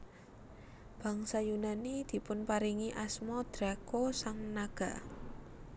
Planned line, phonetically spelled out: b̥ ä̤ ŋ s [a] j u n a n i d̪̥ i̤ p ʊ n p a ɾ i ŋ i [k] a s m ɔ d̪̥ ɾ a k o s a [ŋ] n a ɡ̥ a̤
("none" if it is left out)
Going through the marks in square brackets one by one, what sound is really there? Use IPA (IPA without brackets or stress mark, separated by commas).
a, ʔ, ŋ